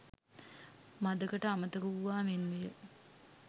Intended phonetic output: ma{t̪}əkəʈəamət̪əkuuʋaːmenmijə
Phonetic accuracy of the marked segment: incorrect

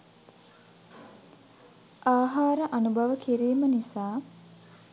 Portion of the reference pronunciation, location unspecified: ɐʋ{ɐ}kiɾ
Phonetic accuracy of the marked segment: incorrect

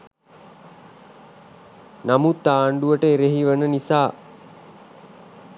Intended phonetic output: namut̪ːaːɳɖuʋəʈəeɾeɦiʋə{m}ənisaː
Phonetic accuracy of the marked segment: incorrect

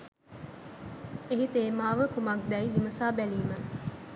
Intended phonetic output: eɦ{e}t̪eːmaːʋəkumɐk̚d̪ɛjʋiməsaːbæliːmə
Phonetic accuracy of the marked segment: incorrect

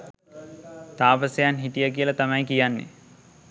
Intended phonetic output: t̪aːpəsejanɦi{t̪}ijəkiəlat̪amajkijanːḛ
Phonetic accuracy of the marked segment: correct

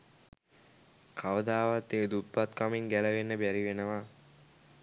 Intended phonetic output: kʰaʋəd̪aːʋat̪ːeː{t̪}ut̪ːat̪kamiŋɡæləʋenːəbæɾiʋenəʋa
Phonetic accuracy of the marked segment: incorrect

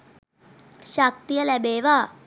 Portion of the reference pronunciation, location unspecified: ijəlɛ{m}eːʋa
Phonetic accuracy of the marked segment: incorrect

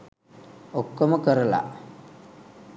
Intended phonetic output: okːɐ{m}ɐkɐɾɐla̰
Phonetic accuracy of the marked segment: correct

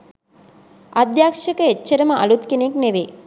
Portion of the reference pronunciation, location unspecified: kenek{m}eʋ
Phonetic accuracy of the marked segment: incorrect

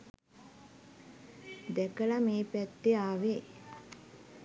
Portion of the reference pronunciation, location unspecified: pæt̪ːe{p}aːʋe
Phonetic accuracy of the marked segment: incorrect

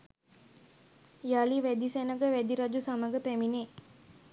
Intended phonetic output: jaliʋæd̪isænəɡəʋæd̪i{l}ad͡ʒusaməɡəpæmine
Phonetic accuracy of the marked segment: incorrect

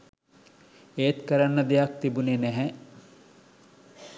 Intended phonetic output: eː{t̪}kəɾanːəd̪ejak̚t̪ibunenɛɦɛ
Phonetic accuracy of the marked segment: correct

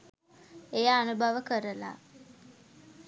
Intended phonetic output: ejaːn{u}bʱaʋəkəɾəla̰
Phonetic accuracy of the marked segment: correct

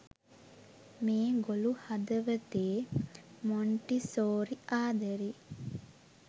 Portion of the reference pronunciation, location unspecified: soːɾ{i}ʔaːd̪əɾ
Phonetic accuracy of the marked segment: correct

